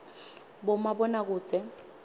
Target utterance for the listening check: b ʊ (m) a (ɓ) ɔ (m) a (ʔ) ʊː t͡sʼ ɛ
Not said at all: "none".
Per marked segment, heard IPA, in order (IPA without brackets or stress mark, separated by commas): m, b, n, k